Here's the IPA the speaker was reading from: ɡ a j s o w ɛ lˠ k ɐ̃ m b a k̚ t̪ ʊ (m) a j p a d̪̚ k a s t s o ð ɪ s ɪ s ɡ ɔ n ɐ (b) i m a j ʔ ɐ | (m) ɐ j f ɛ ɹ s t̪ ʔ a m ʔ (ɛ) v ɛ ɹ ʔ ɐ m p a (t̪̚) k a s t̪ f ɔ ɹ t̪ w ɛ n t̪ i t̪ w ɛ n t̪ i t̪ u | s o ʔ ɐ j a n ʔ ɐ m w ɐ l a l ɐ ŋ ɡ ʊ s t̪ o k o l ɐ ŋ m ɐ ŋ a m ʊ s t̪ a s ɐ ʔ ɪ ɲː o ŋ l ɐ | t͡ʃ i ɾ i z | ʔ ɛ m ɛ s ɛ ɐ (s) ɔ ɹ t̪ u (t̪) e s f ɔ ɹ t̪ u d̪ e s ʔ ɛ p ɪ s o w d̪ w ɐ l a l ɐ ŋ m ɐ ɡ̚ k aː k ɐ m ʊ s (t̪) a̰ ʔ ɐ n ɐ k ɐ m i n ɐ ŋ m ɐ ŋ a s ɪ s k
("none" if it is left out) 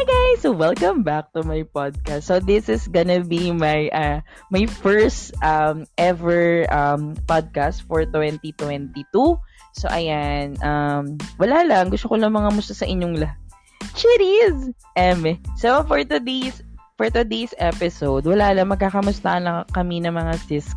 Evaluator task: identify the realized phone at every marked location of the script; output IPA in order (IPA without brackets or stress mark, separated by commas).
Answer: m, b, m, ɛ, d̪̚, f, d̪, t̪